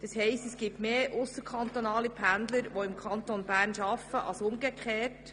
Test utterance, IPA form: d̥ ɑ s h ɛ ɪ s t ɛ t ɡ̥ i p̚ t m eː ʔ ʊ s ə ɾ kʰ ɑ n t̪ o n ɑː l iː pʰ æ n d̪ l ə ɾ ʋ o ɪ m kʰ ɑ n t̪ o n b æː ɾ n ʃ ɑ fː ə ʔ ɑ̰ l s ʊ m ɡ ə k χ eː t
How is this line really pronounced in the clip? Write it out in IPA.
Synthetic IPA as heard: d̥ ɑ s h ɛ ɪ s t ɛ s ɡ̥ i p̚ t m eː ʔ ʊ s ə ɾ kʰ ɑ n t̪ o n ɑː l i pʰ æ n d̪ l ə ɾ ʋ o ɪ m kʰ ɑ n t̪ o n b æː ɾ n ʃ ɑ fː ə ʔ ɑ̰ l s ʊ m ɡ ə k χ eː t